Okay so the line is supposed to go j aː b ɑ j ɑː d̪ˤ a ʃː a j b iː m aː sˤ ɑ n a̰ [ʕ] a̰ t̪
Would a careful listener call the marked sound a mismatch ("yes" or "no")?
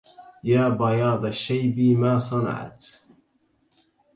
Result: no